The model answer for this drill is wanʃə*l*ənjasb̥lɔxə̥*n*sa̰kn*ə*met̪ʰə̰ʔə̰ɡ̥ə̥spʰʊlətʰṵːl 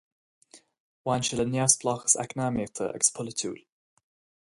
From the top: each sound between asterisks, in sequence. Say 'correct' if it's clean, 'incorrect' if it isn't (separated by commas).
correct, incorrect, incorrect